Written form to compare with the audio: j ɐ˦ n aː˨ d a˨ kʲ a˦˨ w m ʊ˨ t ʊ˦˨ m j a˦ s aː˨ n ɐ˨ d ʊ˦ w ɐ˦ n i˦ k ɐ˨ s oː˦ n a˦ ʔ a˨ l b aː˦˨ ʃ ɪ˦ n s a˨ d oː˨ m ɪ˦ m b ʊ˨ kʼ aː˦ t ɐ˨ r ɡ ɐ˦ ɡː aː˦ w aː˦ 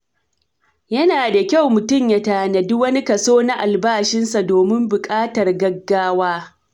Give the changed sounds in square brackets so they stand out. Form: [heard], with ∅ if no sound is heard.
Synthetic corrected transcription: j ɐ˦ n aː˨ d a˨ kʲ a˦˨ w m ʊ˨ t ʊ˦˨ m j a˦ [t] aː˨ n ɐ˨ d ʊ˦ w ɐ˦ n i˦ k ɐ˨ s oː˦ n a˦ ʔ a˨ l b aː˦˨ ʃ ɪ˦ n s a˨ d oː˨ m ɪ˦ m b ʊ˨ kʼ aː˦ t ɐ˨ r ɡ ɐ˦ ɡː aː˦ w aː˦

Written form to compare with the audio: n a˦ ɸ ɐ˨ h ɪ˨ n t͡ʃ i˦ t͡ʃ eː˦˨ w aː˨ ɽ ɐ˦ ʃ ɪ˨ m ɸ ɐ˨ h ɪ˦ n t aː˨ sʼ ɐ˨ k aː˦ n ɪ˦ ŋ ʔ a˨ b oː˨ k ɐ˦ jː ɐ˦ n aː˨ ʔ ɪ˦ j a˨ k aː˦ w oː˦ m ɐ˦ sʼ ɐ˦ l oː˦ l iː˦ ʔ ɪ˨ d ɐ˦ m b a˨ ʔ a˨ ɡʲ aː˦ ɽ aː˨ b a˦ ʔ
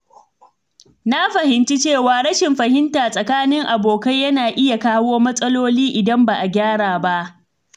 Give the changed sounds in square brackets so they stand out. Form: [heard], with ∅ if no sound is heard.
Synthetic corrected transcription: n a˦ ɸ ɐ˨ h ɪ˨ n t͡ʃ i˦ t͡ʃ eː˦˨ w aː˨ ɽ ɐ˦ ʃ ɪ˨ m ɸ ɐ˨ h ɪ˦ n t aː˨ sʼ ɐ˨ k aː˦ n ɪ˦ ŋ ʔ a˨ b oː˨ k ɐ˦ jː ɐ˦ n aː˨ ʔ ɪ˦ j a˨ k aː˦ w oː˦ m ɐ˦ sʼ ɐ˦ l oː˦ l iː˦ ʔ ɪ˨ d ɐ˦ m b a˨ ʔ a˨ ɡʲ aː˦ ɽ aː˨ b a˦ ʔ

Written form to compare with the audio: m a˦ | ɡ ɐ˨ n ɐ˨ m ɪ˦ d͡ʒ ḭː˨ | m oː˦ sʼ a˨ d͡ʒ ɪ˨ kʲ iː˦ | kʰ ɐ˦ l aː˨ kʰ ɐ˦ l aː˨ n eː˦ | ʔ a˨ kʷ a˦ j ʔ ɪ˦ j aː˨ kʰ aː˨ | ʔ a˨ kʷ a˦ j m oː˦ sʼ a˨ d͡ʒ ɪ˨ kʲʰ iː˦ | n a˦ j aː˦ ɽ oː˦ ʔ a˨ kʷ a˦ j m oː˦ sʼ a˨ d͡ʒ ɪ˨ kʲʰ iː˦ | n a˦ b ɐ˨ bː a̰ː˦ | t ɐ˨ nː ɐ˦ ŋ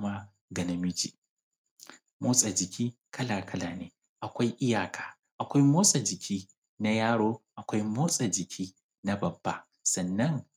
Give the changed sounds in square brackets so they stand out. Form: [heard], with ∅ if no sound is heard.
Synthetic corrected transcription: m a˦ | ɡ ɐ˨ n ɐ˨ m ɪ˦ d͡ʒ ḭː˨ | m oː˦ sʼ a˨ d͡ʒ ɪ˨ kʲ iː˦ | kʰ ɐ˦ l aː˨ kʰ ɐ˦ l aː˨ n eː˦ | ʔ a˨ kʷ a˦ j ʔ ɪ˦ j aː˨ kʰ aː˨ | ʔ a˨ kʷ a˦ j m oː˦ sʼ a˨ d͡ʒ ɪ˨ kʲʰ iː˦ | n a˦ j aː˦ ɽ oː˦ ʔ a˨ kʷ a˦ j m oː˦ sʼ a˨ d͡ʒ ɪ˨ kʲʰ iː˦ | n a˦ b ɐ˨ bː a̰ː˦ | [s] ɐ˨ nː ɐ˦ ŋ

